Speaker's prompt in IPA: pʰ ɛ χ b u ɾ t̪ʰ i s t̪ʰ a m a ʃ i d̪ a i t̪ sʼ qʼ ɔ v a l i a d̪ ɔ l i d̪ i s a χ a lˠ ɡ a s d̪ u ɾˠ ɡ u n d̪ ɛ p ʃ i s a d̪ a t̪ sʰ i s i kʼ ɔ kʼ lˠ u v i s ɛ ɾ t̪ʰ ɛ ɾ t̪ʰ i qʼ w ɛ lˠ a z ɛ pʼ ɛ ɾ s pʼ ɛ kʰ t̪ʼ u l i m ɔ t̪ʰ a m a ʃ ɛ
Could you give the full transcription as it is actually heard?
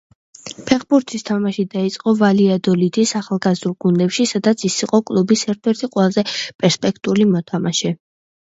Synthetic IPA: pʰ ɛ χ b u ɾ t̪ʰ i s t̪ʰ a m a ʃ i d̪ a i t̪ sʼ qʼ ɔ v a l i a d̪ ɔ l i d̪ i s a χ a lˠ ɡ a z d̪ u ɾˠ ɡ u n d̪ ɛ p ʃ i s a d̪ a t̪ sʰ i s i qʼ ɔ kʼ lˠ u b i s ɛ ɾ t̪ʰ ɛ ɾ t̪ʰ i qʼ w ɛ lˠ a z ɛ pʼ ɛ ɾ s pʼ ɛ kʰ t̪ʼ u l i m ɔ t̪ʰ a m a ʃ ɛ